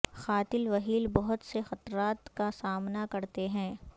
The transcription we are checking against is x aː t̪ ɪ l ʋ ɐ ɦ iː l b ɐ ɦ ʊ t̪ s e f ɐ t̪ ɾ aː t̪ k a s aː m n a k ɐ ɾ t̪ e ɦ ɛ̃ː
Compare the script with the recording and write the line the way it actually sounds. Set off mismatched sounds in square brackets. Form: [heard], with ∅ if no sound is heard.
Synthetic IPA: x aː t̪ ɪ l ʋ ɐ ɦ iː l b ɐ ɦ ʊ t̪ s e [x] ɐ t̪ ɾ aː t̪ k a s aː m n a k ɐ ɾ t̪ e ɦ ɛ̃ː